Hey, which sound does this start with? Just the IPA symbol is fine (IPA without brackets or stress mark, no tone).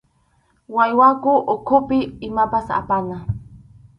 w